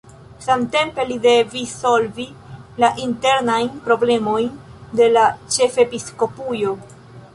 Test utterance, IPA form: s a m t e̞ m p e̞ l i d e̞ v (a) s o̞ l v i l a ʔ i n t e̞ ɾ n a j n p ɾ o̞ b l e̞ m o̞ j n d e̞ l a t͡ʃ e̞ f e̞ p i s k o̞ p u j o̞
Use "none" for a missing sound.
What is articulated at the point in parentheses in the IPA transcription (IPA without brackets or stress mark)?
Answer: i